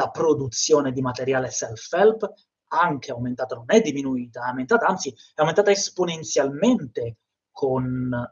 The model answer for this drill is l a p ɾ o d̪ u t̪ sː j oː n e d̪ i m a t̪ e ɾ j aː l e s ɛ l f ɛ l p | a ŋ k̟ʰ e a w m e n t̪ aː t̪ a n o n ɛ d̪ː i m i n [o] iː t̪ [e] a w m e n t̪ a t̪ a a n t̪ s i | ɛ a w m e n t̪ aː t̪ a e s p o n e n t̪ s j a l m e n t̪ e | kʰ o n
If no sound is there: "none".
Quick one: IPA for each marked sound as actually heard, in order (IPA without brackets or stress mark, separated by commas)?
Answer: u, a